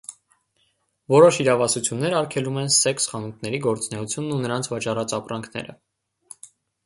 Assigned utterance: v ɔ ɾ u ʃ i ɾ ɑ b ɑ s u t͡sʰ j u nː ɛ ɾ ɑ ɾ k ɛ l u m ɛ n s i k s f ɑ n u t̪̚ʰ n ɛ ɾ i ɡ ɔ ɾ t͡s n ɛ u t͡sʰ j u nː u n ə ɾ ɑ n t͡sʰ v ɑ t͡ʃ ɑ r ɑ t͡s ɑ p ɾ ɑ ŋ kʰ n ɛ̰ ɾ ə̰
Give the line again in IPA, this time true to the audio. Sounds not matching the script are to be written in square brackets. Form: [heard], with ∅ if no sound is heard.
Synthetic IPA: v ɔ ɾ [ɔ] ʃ i ɾ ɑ [v] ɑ s u t͡sʰ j u nː ɛ ɾ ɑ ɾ [kʰ] ɛ l u m ɛ n s [ɛ] k s [χ] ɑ n u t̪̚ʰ n ɛ ɾ i ɡ ɔ ɾ t͡s n ɛ u t͡sʰ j u nː u n ə ɾ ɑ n t͡sʰ v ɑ t͡ʃ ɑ r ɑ t͡s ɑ p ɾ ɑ ŋ kʰ n ɛ̰ ɾ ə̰